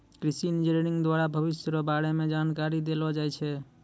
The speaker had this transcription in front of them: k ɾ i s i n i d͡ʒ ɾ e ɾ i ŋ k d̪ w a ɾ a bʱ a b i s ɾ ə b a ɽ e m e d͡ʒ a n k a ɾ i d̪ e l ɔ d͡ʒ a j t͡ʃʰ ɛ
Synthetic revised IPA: k ɾ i s i n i d͡ʒ ɾ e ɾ i ŋ ɡ d̪ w a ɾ a bʱ ə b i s ɾ ə b a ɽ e m e d͡ʒ a n k a ɾ i d̪ e l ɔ d͡ʒ a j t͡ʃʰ ɛ